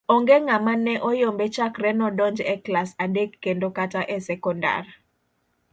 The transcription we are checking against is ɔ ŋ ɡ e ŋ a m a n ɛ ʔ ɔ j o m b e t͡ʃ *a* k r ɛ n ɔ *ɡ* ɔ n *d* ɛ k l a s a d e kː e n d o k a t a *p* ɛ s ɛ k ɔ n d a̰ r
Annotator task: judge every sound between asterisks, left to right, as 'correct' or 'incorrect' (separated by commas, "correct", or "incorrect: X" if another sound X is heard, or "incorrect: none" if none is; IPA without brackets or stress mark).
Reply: correct, incorrect: d, incorrect: d͡ʒ, incorrect: ʔ